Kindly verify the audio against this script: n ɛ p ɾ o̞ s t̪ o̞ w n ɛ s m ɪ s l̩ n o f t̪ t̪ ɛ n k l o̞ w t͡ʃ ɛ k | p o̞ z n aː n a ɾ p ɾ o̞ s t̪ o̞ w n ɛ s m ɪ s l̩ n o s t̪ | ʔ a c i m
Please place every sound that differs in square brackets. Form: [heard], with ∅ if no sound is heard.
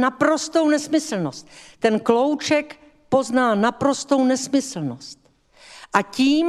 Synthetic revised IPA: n [a] p ɾ o̞ s t̪ o̞ w n ɛ s m ɪ s l̩ n o [s] t̪ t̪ ɛ n k l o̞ w t͡ʃ ɛ k | p o̞ z n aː n a [∅] p ɾ o̞ s t̪ o̞ w n ɛ s m ɪ s l̩ n o s t̪ | ʔ a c [iː] m